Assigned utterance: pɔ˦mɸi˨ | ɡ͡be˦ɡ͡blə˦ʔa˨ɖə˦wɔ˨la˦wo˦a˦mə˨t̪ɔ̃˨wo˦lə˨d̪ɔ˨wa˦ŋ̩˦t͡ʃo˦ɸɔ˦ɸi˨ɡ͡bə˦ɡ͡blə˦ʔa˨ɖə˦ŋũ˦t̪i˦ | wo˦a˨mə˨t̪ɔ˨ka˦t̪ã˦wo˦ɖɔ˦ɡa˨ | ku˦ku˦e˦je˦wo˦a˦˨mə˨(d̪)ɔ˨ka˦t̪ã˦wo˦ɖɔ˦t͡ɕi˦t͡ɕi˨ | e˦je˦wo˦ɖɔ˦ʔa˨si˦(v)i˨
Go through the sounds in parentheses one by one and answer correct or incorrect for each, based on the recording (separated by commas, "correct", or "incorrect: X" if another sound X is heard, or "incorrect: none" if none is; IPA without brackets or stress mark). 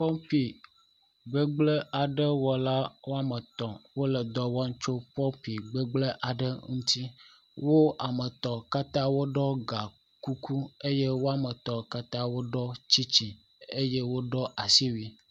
incorrect: t̪, incorrect: w